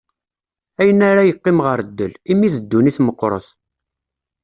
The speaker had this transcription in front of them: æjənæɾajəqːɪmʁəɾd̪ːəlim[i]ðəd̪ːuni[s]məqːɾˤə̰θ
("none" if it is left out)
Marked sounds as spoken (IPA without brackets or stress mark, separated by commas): i, θ